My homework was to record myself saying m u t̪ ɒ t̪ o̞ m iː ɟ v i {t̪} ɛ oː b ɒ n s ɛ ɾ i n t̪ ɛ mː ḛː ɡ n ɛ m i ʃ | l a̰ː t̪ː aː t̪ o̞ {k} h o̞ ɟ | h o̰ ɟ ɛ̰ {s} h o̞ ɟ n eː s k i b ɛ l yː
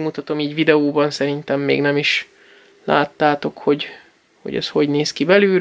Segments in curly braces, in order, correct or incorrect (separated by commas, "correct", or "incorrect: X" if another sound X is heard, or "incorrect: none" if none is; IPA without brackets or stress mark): incorrect: d̪, correct, correct